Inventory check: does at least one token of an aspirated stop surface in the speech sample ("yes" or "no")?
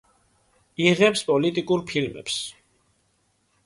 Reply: yes